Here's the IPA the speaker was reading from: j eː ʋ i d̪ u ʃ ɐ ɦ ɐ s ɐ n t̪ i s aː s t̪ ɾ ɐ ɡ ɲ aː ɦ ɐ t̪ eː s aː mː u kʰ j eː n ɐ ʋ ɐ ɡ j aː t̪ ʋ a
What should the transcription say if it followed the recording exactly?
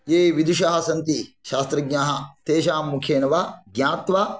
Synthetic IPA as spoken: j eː ʋ i d̪ u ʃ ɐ ɦ ɐ s ɐ n t̪ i ʃ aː s t̪ ɾ ɐ ɡ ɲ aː ɦ ɐ t̪ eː ʃ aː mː u kʰ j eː n ɐ ʋ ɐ ɡ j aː t̪ ʋ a

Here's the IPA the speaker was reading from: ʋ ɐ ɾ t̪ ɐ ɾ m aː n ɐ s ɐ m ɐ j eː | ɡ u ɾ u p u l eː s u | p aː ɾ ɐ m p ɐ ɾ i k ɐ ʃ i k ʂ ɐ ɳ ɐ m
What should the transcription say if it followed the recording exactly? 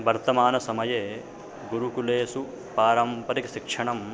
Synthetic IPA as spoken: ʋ ɐ ɾ t̪ ɐ m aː n ɐ s ɐ m ɐ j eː | ɡ u ɾ u k u l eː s u | p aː ɾ ɐ m p ɐ ɾ i k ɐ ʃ i k ʂ ɐ ɳ ɐ m

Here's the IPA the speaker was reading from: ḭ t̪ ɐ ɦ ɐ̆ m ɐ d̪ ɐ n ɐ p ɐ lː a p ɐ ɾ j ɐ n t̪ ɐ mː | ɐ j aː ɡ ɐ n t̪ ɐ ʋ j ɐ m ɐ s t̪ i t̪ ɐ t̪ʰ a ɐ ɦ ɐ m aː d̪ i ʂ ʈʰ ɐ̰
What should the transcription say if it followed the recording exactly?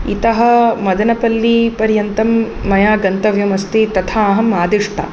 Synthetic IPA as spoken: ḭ t̪ ɐ ɦ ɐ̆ m ɐ d̪ ɐ n ɐ p ɐ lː i p ɐ ɾ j ɐ n t̪ ɐ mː | ɐ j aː ɡ ɐ n t̪ ɐ ʋ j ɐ m ɐ s t̪ i t̪ ɐ t̪ʰ a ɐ ɦ ɐ m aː d̪ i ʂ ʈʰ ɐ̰

